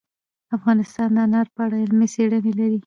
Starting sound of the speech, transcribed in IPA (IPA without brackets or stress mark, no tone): a